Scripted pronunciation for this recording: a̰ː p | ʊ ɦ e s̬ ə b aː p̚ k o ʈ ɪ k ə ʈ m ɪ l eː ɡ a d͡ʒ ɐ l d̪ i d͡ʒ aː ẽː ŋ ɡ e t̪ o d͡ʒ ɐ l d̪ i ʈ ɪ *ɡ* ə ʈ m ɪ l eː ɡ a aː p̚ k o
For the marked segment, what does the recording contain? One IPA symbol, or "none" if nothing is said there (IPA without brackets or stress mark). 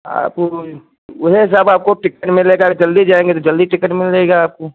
k